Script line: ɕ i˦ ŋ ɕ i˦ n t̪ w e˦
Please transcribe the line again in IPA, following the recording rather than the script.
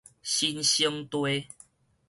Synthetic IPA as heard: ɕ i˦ n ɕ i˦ ŋ t̪ w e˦